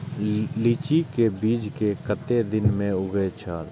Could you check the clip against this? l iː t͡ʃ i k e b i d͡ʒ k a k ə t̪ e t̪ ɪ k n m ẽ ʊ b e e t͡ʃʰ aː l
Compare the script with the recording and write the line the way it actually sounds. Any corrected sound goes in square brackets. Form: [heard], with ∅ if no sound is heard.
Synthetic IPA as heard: l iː t͡ʃ i k e b [iː] d͡ʒ k [e] k ə t̪ e [d̪] ɪ [∅] n m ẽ ʊ [ɡ] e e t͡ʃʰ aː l